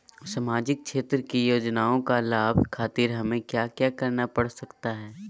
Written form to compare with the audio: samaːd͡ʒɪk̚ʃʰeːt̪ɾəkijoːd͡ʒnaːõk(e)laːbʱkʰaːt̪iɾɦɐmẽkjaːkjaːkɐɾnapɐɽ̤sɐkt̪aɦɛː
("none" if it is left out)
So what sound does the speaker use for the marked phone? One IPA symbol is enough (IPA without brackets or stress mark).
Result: a